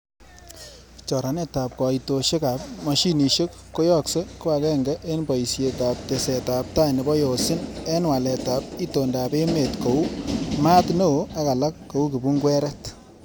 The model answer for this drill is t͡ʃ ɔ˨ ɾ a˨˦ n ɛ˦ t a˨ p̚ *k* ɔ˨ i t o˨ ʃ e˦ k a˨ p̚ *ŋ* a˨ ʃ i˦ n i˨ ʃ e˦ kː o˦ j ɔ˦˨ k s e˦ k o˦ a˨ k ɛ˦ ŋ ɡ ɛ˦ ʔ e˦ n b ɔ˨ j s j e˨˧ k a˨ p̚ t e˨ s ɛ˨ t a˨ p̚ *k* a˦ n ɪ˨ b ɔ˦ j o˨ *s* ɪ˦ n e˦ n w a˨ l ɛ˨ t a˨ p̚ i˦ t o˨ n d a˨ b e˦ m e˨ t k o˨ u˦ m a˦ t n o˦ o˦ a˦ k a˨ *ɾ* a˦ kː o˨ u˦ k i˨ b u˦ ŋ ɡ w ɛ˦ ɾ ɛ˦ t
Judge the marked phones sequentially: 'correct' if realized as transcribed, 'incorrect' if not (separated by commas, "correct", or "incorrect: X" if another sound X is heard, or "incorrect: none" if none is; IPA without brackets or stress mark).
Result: correct, incorrect: m, incorrect: t, correct, incorrect: l